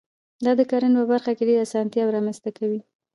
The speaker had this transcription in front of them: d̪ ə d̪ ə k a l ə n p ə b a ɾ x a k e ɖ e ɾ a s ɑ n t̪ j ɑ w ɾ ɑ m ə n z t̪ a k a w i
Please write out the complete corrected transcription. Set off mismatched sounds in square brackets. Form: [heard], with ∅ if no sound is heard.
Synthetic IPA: d̪ [ɑ] d̪ ə k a [ɾ] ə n p ə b a ɾ x a k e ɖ e ɾ a s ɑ n t̪ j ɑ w ɾ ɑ m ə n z t̪ a k a w i